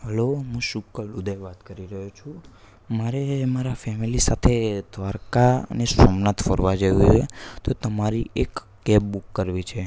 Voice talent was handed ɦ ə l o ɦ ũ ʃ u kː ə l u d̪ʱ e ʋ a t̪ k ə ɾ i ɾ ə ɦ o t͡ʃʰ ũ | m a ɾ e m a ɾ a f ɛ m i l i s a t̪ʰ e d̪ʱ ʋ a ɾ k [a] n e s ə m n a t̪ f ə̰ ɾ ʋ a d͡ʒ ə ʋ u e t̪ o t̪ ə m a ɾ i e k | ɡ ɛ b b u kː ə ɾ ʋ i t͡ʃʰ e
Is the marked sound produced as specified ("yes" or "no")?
yes